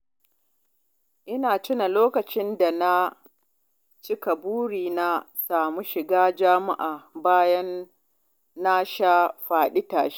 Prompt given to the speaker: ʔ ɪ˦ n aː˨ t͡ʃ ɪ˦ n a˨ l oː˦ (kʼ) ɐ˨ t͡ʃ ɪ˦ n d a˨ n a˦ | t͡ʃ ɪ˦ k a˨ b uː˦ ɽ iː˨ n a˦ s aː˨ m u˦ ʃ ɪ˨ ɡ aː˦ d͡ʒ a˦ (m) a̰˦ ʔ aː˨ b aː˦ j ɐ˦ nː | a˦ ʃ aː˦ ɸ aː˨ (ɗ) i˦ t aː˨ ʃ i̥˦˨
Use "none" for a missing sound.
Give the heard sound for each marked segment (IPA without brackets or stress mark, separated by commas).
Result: k, m, ɗ